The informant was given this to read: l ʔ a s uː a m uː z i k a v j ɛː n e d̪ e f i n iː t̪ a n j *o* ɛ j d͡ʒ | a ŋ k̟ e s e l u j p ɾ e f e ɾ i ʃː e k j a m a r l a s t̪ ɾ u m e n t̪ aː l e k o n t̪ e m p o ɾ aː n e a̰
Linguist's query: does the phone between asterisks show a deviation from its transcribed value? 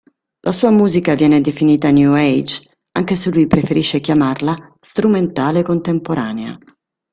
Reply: yes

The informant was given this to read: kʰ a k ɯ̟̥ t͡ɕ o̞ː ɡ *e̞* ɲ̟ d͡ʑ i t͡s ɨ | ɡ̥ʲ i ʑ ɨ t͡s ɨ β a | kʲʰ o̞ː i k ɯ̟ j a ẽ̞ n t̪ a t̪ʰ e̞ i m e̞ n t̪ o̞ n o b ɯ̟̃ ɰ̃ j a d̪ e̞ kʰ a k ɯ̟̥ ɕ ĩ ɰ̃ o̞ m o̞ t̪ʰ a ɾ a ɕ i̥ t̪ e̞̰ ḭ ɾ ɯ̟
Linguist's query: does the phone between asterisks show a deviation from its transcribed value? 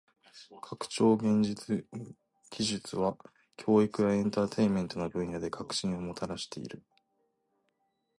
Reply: yes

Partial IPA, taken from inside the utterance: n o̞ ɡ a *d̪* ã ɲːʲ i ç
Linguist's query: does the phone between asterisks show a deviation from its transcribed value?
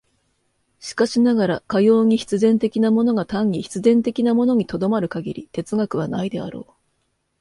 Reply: yes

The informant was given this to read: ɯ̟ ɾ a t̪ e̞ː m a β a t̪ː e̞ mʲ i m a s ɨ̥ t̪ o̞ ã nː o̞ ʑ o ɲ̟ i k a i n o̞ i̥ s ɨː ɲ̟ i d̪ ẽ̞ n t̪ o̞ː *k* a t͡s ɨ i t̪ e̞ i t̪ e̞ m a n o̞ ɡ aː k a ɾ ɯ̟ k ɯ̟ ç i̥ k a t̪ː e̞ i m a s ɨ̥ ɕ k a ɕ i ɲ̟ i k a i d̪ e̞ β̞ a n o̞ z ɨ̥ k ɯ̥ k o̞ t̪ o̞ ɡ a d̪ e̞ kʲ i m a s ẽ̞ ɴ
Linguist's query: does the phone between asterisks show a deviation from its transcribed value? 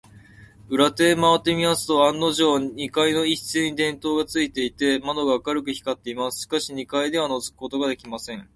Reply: yes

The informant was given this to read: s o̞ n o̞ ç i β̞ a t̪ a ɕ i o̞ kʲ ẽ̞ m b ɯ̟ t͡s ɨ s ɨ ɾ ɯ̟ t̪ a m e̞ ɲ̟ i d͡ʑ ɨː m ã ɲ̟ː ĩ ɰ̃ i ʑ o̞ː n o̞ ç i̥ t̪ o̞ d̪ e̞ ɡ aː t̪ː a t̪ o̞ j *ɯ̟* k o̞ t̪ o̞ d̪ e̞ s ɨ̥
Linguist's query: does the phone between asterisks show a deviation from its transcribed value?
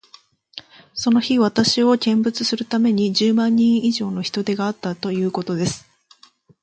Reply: yes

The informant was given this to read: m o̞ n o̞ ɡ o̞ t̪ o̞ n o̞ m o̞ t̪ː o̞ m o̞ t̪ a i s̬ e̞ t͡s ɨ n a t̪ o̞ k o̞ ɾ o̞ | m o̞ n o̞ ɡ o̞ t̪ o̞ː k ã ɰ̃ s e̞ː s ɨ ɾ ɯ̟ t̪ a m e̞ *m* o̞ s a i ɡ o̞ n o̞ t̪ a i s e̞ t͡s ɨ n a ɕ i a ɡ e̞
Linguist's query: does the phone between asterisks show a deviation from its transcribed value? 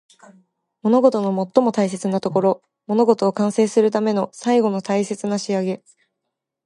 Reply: yes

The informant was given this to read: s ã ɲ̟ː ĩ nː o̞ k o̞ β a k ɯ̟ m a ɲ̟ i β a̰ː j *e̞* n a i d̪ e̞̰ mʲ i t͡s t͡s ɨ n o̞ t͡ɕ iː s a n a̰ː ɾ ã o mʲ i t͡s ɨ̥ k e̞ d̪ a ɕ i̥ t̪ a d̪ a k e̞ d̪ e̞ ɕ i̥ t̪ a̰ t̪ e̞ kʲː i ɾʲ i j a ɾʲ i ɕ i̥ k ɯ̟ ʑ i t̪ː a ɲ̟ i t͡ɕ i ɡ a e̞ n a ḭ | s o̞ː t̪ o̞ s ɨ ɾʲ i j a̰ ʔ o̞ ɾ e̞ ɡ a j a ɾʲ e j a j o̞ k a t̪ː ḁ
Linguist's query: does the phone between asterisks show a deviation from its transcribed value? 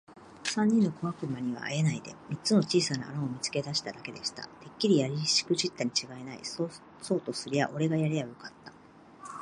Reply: no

